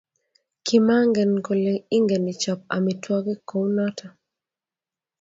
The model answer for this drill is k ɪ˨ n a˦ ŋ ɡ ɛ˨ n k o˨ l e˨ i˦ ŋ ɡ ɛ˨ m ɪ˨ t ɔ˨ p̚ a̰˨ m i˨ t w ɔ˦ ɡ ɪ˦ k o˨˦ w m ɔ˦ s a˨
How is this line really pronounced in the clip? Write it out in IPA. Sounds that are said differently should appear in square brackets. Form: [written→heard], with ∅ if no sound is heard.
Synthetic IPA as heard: k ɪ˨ [n→m] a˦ ŋ ɡ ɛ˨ n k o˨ l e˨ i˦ ŋ ɡ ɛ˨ [m→n] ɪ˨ [t→t͡ʃ] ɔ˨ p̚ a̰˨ m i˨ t w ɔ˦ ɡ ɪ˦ k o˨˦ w [m→n] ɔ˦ [s→t] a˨